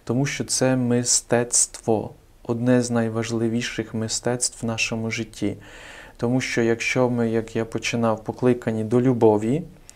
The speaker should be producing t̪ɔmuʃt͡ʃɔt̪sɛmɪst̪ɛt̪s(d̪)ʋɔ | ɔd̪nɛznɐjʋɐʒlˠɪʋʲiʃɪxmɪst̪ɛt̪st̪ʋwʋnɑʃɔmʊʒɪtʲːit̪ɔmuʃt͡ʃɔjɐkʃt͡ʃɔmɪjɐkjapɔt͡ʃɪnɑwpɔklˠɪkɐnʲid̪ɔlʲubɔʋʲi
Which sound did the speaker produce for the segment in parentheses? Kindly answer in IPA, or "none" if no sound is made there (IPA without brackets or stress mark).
t̪